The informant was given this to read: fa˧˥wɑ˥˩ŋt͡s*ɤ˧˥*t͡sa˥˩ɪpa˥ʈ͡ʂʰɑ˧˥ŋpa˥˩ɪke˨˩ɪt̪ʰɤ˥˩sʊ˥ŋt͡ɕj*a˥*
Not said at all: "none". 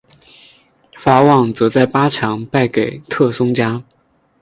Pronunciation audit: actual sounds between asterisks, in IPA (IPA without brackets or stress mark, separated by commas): ɤ˧˥, a˥